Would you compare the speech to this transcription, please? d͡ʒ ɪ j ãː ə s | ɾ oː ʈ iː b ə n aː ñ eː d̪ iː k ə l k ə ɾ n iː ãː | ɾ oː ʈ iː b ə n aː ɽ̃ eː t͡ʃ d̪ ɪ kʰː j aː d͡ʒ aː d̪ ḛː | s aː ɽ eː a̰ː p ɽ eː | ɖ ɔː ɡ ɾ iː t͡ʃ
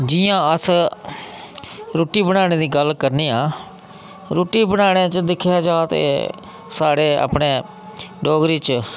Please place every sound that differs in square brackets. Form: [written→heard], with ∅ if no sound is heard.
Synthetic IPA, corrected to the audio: d͡ʒ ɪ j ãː ə s | ɾ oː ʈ iː b ə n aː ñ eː d̪ iː [k→ɡ] ə l k ə ɾ n iː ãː | ɾ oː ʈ iː b ə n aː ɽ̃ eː t͡ʃ d̪ ɪ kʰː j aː d͡ʒ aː [d̪→t̪] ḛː | s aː ɽ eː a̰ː p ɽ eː | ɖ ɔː ɡ ɾ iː t͡ʃ